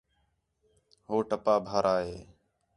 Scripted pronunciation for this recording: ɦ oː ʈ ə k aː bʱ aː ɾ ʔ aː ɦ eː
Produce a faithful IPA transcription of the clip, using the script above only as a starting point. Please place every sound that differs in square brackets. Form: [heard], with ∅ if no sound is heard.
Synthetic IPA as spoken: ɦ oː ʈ ə [p] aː bʱ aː ɾ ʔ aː ɦ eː